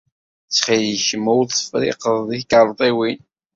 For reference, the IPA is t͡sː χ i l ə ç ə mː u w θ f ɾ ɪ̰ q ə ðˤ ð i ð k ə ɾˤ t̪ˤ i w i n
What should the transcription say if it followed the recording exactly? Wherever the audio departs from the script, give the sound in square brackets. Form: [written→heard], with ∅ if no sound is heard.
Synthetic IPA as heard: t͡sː χ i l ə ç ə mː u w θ f ɾ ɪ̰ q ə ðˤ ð i [ð→θ] k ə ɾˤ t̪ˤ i w i n